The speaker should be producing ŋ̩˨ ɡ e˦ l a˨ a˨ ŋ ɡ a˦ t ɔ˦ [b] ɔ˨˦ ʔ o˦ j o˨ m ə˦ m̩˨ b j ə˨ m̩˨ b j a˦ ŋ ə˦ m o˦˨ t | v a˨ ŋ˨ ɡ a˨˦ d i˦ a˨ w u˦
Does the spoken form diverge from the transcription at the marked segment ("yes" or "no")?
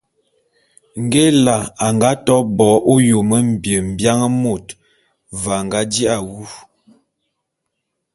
no